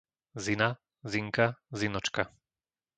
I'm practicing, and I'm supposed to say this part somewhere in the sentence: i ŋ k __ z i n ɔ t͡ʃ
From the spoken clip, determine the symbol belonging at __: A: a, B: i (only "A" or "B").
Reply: A